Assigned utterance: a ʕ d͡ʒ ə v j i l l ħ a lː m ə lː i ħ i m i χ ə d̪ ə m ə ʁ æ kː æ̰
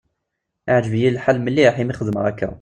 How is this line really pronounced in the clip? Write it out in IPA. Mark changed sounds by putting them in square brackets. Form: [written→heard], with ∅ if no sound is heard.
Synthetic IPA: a ʕ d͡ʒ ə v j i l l ħ a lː m ə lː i ħ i m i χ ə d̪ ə m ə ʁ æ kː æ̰